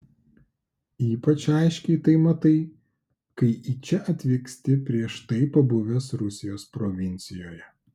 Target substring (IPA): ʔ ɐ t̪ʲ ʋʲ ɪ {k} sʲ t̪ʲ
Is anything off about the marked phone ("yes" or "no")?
no